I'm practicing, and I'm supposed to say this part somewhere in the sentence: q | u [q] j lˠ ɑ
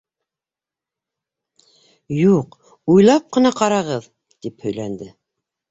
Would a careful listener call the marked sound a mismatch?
yes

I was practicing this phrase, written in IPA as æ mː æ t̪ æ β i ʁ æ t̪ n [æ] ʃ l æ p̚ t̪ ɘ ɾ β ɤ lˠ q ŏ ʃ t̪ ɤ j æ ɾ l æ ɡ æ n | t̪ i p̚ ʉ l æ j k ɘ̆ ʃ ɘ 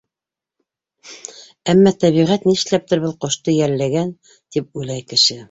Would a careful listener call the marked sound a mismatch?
yes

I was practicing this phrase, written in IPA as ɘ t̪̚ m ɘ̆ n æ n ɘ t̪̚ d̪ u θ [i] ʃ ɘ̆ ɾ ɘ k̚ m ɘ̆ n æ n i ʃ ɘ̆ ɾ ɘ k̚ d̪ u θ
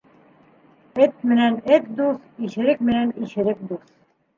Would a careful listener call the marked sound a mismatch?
no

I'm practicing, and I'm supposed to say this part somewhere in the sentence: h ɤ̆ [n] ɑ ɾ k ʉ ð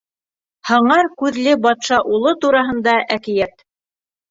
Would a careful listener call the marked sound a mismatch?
yes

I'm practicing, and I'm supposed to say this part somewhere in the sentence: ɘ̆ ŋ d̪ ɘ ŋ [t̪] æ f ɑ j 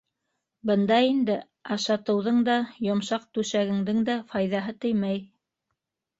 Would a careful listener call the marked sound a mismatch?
yes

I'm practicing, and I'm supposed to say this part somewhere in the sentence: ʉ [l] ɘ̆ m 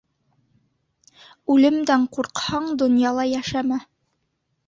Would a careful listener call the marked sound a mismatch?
no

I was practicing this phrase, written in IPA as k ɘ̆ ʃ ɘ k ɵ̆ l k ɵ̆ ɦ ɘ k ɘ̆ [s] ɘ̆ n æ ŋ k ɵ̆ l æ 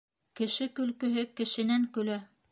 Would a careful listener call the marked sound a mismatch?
yes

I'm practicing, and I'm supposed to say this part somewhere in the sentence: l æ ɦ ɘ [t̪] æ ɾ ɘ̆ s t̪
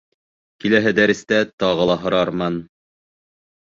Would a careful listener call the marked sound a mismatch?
yes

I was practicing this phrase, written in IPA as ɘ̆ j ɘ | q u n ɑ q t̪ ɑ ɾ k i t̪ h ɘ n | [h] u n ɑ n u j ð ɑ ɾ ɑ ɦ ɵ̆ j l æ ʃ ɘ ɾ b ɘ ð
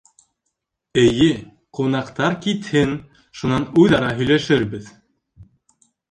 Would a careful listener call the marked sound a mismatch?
yes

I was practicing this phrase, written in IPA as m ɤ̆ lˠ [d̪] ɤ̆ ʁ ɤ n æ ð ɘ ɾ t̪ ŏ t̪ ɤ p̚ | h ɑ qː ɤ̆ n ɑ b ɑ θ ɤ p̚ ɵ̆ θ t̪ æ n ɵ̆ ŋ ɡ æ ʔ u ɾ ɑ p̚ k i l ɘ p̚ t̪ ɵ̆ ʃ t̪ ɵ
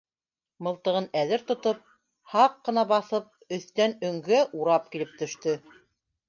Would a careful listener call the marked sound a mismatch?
yes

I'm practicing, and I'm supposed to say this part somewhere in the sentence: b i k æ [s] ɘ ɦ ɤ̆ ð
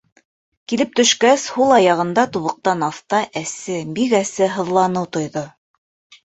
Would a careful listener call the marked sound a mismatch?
no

